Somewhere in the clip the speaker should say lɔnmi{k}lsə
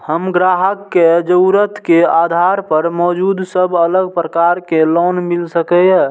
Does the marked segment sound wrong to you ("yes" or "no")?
yes